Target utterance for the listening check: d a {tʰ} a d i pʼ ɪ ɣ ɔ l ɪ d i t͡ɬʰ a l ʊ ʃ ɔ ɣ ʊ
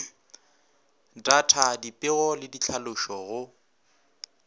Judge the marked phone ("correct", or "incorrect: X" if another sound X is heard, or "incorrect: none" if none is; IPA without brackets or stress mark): correct